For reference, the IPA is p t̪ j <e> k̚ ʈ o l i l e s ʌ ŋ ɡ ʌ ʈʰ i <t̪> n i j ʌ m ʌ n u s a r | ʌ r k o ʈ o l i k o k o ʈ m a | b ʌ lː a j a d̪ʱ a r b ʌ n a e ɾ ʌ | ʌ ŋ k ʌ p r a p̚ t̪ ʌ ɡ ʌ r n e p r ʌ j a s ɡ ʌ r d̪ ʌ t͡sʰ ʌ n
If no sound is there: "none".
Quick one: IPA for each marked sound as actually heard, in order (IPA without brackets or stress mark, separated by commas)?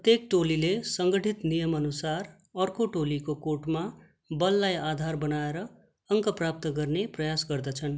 e, t̪